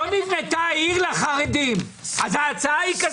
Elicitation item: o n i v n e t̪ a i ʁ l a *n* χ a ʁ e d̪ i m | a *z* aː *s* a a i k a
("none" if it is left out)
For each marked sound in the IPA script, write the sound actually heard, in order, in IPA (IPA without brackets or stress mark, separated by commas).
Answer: none, z, t͡s